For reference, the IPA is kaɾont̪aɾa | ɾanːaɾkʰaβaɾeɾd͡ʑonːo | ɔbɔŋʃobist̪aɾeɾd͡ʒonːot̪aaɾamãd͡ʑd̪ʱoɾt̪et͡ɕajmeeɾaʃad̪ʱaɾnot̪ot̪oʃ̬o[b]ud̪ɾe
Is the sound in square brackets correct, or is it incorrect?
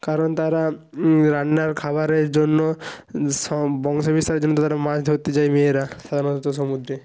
incorrect